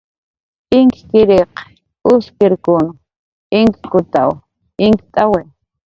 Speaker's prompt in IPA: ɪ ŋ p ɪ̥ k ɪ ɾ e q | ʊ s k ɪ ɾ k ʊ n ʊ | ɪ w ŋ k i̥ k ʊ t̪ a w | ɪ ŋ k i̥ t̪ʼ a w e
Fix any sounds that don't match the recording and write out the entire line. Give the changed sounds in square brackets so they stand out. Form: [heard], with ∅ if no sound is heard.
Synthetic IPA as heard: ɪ ŋ [k] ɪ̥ k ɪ ɾ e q | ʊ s k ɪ ɾ k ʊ n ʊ | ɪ [∅] ŋ k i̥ k ʊ t̪ a w | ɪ ŋ k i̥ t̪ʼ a w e